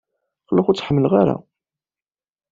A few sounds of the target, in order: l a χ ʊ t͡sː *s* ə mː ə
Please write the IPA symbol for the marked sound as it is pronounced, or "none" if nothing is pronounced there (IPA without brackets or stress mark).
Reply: ħ